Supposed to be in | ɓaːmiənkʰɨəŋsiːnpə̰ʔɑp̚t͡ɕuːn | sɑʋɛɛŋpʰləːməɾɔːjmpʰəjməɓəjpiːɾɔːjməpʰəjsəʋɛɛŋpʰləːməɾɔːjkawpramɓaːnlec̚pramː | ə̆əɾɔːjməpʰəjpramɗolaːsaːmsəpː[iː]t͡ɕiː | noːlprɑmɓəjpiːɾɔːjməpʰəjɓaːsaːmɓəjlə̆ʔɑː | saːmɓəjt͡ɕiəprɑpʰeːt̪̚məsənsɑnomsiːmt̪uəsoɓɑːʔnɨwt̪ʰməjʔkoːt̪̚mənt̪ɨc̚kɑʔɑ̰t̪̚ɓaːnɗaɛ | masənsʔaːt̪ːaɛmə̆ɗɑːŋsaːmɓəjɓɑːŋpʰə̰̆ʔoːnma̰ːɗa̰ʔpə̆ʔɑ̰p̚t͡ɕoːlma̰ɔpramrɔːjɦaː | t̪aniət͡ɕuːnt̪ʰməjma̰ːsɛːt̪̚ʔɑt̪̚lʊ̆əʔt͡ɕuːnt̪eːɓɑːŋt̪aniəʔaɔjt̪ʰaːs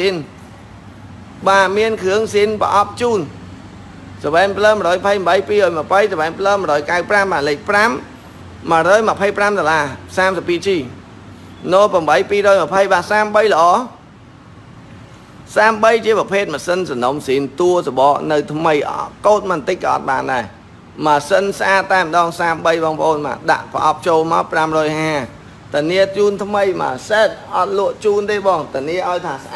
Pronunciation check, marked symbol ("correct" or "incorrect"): correct